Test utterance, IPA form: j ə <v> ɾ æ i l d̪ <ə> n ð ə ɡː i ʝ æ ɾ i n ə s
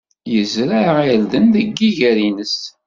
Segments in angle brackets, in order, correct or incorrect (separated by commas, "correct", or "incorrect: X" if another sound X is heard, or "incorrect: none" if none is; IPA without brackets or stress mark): incorrect: z, correct